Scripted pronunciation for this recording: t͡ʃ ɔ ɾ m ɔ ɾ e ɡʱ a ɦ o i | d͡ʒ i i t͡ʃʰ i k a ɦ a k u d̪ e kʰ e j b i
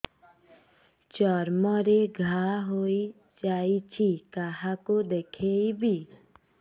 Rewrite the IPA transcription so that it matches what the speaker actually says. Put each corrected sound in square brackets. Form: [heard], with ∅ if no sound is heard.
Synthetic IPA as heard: t͡ʃ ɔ ɾ m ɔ ɾ e ɡʱ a ɦ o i | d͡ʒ [a] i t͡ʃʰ i k a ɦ a k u d̪ e kʰ e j b i